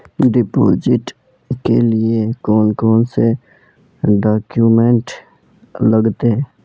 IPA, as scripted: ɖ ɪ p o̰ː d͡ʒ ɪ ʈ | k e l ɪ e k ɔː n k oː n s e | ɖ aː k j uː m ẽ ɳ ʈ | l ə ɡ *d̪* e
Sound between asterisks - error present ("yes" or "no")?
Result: yes